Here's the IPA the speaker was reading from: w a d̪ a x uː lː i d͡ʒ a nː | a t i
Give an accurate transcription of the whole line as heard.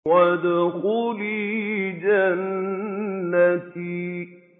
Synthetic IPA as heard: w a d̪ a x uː l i d͡ʒ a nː | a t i